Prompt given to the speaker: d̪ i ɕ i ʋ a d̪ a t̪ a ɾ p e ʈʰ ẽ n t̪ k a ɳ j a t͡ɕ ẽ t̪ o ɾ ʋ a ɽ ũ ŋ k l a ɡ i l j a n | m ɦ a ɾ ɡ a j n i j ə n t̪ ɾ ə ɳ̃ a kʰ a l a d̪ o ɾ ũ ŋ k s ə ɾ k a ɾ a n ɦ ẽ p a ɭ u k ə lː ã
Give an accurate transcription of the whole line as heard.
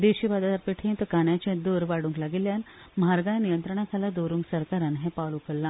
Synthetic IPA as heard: d̪ e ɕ i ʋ a d̪ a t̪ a ɾ p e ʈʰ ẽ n t̪ k a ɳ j a t͡ɕ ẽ d̪ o ɾ ʋ a ɽ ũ ŋ k l a ɡ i l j a n | m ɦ a ɾ ɡ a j n i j ə n t̪ ɾ ə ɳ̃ a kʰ a l a d̪ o ɾ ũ ŋ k s ə ɾ k a ɾ a n ɦ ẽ p a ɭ u k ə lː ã